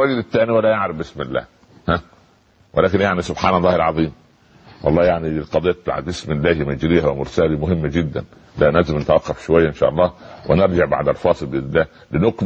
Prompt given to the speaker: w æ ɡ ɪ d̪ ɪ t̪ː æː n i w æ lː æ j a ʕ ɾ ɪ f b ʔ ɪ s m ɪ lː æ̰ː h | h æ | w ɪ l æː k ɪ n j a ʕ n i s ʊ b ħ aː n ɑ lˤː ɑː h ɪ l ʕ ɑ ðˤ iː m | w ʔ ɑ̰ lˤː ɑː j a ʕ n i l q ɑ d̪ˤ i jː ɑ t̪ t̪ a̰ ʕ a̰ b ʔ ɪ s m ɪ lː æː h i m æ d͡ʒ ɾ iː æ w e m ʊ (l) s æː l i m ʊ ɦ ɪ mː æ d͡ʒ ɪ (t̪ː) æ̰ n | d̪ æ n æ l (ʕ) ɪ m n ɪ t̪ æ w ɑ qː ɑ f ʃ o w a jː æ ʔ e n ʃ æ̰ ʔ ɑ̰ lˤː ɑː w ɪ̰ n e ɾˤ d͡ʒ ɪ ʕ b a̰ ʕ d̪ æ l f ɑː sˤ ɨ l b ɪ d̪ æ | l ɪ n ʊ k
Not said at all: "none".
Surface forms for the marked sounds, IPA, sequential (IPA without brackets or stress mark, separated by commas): ɾ, d̪ː, z